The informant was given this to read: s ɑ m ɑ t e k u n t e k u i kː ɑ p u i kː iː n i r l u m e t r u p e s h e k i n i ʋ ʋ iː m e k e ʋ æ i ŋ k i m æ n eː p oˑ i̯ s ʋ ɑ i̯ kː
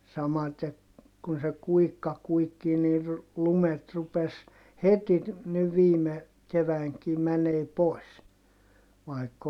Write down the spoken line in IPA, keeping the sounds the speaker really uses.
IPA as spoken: s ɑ m ɑ t e k u n s e k u i kː ɑ k u i kː iː n i r l u m e t r u p e s h e t i n i ʋ ʋ iː m e k e ʋ æ i ŋ k i m æ n eː p oˑ i̯ s ʋ ɑ i̯ kː

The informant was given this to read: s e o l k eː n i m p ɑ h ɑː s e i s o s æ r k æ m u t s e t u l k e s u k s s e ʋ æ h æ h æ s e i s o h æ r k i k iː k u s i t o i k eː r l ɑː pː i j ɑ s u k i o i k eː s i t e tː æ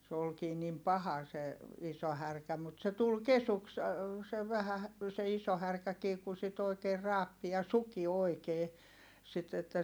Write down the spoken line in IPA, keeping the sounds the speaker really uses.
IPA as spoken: s e o l k iː n i m p ɑ h ɑ s e i s o h æ r k æ m u t s e t u l k e s u k s s e ʋ æ h æ h æ s e i s o h æ r k æ k iː k u s i t o i k eː r r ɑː pː i j ɑ s u k i o i k eː s i t e tː æ

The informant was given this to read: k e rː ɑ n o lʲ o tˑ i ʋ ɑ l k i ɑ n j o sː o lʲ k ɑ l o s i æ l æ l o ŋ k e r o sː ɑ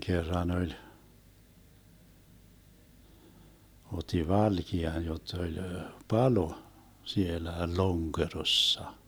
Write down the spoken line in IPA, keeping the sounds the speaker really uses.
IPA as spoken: k e rː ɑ n o lʲ o tˑ i ʋ ɑ l k i ɑ n j o tː o lʲ p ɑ l o s i e l æ l o ŋ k e r o sː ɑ

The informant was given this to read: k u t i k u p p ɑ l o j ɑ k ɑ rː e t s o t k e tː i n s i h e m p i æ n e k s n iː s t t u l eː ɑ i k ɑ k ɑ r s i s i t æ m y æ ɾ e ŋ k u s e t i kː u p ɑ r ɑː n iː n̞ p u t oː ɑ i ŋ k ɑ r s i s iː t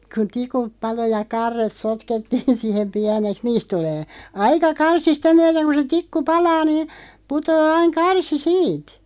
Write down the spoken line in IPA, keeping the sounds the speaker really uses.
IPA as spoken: k u t i k u p p ɑ l o j ɑ k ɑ rː e t s o t k e tː iː n s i h e m p i æ n e k s n iː s t t u l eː ɑ i k ɑ k ɑ r s i s i t æ m y æ ɾ e ŋ k u s e t i kː u p ɑ l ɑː n iː n̞ p u t oː ɑ i ŋ k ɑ r s i s iː t

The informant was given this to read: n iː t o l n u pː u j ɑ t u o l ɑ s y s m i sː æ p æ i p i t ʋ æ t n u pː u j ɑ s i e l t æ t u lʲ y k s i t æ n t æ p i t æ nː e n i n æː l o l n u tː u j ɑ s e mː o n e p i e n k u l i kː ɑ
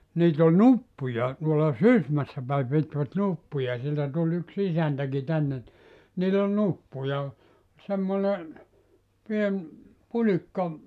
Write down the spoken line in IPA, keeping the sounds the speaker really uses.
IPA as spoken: n iː t o l n u pː u j ɑ t u o l ɑ s y s m æ sː æ p æ i p i t ʋ æ t n u pː u j ɑ s i e l t æ t u lʲ y k s i s æ n t æ k i t æ nː e n i n iː l o l n u pː u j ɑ s e mː o n e p i e n p u l i kː ɑ

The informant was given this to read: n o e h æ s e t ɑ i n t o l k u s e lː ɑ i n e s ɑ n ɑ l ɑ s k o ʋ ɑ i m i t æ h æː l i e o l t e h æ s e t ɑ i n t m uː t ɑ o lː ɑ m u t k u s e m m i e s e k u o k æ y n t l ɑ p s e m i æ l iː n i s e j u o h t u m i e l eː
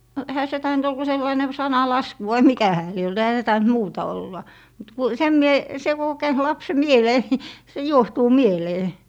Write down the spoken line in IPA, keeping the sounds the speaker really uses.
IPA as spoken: n o e h æ s e t ɑ i n t o l k u s e lː ɑ i n e s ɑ n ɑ l ɑ s k u ʋ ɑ i m i k æ h æː l i e o l t e h æ s e t ɑ i n t m uː t ɑ o lː ɑ m u t k u s e m m i e s e k u o k æ y n t l ɑ p s e m i e l eː n i s e j u o h t uː m i e l eː

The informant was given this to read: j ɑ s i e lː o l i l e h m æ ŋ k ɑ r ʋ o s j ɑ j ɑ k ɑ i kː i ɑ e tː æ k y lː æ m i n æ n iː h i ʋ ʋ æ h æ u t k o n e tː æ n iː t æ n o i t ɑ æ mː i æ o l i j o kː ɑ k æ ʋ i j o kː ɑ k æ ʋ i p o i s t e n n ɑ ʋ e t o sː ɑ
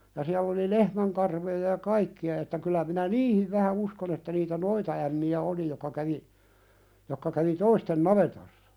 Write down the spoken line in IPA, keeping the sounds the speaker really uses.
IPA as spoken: j ɑ s i æ lː o l i l e h m æ ŋ k ɑ r ʋ o j ɑ j ɑ k ɑ i kː i ɑ e tː æ k y lː æ m i n æ n iː h i ʋ ʋ æ h æ u s k o n e tː æ n iː t æ n o i t ɑ æ mː i æ o l i j o kː ɑ k æ ʋ i j o kː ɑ k æ ʋ i t o i s t e n n ɑ ʋ e t o sː ɑ

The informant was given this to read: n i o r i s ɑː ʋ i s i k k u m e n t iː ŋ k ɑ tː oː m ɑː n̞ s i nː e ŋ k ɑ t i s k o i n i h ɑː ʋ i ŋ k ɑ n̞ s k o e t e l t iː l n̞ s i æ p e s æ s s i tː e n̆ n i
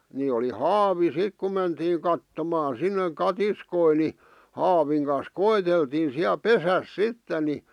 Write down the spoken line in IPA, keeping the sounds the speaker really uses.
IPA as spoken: n i o l i h ɑː ʋ i s i k k u m e n t iː ŋ k ɑ tː o m ɑː n̞ s i nː e ŋ k ɑ t i s k o i n i h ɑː ʋ i ŋ k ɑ n̞ s k o e t e l t iː n̞ s i æ p e s æ s s i tː e n̆ n i

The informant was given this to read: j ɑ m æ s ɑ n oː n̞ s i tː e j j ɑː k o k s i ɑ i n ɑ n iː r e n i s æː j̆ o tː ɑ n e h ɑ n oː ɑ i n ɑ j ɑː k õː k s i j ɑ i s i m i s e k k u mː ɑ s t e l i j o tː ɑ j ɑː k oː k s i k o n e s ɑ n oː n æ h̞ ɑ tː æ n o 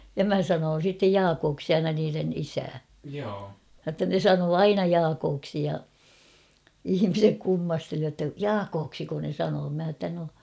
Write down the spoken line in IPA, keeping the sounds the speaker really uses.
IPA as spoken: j ɑ m æ s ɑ n oː n̞ s i tː e j j ɑː k oː k s i ɑ i n ɑ n iː r e n i s æː j̆ o tː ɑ n e s ɑ n oː ɑ i n ɑ j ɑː k oː k s i j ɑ i h i m i s e k k u mː ɑ s t e l i j o tː ɑ j ɑː k oː k s i k o n e s ɑ n oː m æ h̞ ɑ tː æ n o

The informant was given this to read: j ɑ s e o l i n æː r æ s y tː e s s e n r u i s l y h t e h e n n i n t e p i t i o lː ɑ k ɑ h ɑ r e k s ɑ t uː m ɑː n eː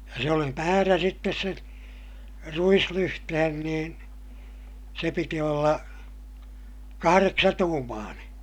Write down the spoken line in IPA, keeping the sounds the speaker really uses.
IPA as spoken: j ɑ s e o l i m æː r æ s i tː e s s e n r u i s l y h t e h e n n iː n s e p i t i o lː ɑ k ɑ h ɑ r e k s ɑ t uː m ɑː n eː

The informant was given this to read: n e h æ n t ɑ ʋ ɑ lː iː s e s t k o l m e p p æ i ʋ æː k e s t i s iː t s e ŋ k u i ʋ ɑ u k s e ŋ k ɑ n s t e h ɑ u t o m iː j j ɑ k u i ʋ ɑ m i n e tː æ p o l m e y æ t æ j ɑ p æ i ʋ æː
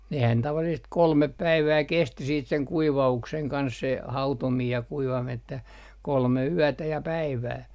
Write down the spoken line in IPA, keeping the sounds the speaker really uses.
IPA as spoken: n e h æ n t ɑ ʋ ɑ lː i s e s t k o l m e p p æ i ʋ æː k e s t i s iː t s e ŋ k u i ʋ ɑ u k s e ŋ k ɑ n s s e h ɑ u t o m iː j j ɑ k u i ʋ ɑ m i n e tː æ k o l m e y æ t æ j ɑ p æ i ʋ æː

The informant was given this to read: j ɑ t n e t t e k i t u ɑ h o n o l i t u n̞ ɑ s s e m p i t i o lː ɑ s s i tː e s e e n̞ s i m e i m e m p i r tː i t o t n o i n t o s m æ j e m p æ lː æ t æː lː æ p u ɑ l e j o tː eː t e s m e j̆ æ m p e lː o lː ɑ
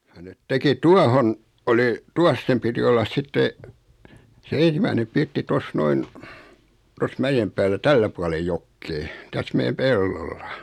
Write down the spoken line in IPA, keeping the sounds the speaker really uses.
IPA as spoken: j ɑ n e t t e k i t u ɑ h o n o l i t u ɑ s s e m p i t i o lː ɑ s s i tː e s e e n̞ s i m æ i n e m p i r tː i t o s n o i n t o s m æ j e m p æː lː æ t æ lː æ p u ɑ l e j o kː eː t æ s m e j̆ æ m p e lː o lː ɑ

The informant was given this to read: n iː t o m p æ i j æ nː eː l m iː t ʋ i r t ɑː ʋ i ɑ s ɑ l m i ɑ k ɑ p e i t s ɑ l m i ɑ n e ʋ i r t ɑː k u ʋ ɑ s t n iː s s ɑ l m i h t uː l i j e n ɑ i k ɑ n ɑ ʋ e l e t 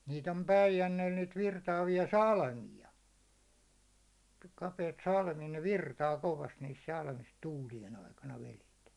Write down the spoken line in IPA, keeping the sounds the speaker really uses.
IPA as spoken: n iː t o m p æ i j æ nː eː l n iː t ʋ i r t ɑː ʋ i ɑ s ɑ l m i ɑ k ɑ p e i t s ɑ l m i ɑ n e ʋ i r t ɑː k o ʋ ɑ s t n iː s s ɑ l m i s t uː l i j e n ɑ i k ɑ n ɑ ʋ e l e t

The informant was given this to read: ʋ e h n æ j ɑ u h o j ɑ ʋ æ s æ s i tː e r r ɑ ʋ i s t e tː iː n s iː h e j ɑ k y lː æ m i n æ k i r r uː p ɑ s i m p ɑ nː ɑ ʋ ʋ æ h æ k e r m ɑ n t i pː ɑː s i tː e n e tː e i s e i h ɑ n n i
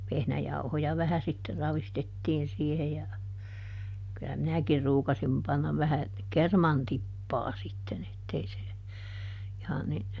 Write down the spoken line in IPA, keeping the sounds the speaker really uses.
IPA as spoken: ʋ e h n æ j ɑ u h o j ɑ ʋ æ h æ s i tː e r r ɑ ʋ i s t e tː iː n s iː h e j ɑ k y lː æ m i n æ k i r r uː k ɑ s i m p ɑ nː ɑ ʋ ʋ æ h æ k e r m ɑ n t i pː ɑː s i tː e n e tː e i s e i h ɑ n n i

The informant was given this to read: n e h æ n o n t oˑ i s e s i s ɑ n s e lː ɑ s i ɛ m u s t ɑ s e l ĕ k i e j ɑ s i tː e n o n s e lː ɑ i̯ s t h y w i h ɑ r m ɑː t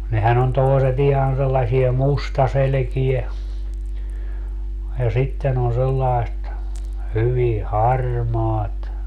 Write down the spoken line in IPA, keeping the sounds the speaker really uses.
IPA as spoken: n e h æ n o n t oˑ i s e t i h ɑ n s e lː ɑ s i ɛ m u s t ɑ s e l ĕ k i e j ɑ s i tː e n o n s e lː ɑ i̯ s t h y ʋ i h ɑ r m ɑː t

